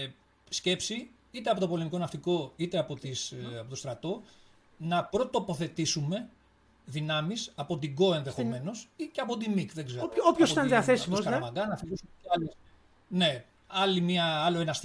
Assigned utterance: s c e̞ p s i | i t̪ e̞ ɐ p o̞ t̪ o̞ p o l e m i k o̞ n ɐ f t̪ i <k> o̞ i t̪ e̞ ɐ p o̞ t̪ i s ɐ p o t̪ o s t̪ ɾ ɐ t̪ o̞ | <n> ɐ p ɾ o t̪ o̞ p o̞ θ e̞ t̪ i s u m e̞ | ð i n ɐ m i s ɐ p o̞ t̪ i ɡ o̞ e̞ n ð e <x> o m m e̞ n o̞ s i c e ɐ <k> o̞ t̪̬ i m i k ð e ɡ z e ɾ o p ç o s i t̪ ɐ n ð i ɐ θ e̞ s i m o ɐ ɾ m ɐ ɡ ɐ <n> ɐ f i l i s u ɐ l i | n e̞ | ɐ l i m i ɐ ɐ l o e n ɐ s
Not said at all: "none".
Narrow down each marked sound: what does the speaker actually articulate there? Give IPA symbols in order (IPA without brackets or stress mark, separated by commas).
k, n, x, p, n